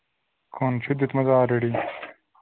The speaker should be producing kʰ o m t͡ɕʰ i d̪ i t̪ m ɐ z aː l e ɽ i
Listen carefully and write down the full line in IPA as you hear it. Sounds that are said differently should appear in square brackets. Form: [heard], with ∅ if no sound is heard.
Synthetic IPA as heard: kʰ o [n] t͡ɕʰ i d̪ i t̪ m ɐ z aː [ɾ] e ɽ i